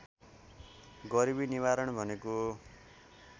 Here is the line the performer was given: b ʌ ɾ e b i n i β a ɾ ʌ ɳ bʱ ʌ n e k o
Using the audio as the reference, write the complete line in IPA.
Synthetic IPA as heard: ɡ ʌ ɾ i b i n i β a ɾ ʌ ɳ bʱ ʌ n e k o